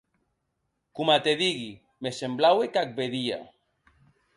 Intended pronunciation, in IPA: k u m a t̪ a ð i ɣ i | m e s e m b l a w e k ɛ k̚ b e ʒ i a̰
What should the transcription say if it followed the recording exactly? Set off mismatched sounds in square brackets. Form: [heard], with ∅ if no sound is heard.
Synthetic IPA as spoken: k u m a t̪ [e] ð i ɣ i | m e s e m b l a w e k [a] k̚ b e [ð] i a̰

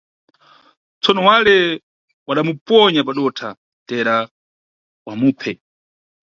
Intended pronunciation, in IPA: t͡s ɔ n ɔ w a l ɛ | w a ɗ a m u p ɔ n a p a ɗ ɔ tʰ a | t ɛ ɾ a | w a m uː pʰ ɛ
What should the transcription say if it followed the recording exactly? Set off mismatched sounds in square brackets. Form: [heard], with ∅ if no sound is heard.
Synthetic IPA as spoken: t͡s ɔ n ɔ w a l ɛ | w a ɗ a m u p ɔ [ɲ] a p a ɗ ɔ tʰ a | t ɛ ɾ a | w a m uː pʰ ɛ

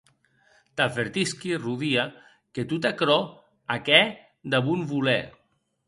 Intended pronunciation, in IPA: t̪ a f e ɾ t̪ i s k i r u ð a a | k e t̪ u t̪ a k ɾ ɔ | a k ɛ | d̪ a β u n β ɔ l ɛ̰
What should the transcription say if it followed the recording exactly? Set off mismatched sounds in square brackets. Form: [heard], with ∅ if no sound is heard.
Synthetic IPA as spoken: t̪ a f e ɾ t̪ i s k i r u ð [i] a | k e t̪ u t̪ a k ɾ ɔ | a k ɛ | d̪ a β u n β [u] l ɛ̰

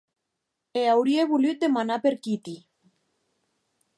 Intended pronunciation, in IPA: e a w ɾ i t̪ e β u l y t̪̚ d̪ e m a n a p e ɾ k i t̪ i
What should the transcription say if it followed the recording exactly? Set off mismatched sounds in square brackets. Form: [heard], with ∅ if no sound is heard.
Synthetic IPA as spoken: e a w ɾ i [∅] e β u l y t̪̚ d̪ e m a n a p e ɾ k i t̪ i

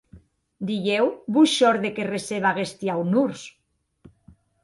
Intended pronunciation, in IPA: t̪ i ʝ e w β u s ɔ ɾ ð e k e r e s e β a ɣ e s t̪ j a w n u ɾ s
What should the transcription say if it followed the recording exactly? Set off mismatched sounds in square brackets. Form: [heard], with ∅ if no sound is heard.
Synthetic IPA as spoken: [d̪] i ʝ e w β u [ʃ] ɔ ɾ ð e k e r e s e β a ɣ e s t̪ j a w n u ɾ s

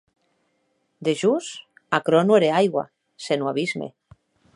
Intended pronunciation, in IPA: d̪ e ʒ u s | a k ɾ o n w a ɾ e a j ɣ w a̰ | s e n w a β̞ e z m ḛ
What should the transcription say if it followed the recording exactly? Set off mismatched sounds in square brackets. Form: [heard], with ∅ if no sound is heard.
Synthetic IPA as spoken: d̪ e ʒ u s | a k ɾ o n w [e] ɾ e a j ɣ w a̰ | s e n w a β̞ [i] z m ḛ

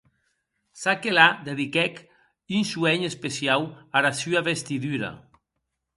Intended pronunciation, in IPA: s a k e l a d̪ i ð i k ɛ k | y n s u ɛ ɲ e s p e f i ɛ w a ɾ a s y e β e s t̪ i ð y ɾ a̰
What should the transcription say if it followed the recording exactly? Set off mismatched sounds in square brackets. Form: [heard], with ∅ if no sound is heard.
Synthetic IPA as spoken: s a k e l a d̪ [e] ð i k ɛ k | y n s u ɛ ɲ e s p e [s] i [a] w a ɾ a s y [a] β e s t̪ i ð y ɾ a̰

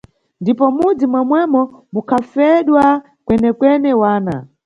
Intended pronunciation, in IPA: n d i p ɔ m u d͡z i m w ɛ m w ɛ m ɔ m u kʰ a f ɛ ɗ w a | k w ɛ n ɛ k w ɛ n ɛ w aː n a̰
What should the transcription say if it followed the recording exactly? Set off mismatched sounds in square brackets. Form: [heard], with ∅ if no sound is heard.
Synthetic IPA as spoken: n d i p ɔ m u d͡z i m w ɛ m w ɛ m ɔ m u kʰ a f ɛ ɗ w a | k w ɛ n ɛ k w ɛ n ɛ w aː n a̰

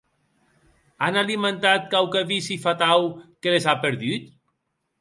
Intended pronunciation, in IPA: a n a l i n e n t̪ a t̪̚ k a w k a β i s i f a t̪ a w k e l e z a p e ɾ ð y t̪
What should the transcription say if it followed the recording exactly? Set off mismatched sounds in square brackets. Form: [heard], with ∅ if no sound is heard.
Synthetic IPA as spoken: a n a l i [m] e n t̪ a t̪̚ k a w k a β i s i f a t̪ a w k e l e z a p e ɾ ð y t̪

